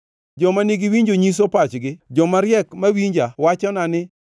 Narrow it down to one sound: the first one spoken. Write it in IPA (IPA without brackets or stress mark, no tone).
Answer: d͡ʒ